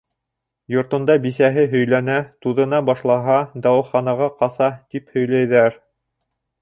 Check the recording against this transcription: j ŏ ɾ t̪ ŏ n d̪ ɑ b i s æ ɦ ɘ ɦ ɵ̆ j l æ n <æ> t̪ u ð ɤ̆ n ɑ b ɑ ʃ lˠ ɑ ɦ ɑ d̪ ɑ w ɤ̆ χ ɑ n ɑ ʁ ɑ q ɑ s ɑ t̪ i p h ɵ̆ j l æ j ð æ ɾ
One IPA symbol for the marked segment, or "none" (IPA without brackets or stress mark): æ